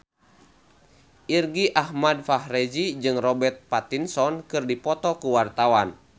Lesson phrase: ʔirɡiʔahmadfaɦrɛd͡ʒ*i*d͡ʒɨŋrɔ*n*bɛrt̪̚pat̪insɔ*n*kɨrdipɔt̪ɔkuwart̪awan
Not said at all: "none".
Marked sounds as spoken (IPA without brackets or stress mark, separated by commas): i, none, n